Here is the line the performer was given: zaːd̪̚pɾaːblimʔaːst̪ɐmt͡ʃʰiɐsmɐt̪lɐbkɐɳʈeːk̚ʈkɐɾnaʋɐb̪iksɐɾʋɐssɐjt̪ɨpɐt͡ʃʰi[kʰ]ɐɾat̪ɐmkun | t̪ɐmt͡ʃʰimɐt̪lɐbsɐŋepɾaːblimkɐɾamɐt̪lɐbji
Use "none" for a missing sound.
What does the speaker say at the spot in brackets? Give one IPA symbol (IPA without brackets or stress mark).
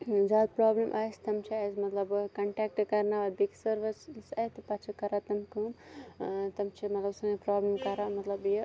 k